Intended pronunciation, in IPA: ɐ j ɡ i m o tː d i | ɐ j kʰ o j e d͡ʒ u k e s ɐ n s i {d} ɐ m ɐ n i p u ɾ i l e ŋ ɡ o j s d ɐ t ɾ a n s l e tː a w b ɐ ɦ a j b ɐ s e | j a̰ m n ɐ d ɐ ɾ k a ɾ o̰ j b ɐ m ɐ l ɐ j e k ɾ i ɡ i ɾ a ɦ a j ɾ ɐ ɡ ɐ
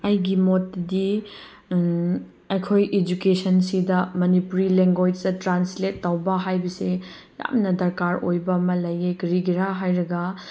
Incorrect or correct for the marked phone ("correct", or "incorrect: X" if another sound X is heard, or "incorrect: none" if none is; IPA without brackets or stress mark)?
correct